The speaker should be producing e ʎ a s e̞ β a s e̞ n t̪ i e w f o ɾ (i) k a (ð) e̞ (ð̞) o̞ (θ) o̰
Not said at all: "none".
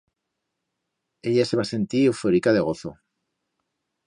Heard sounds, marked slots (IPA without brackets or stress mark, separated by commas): i, ð, ɣ̞, θ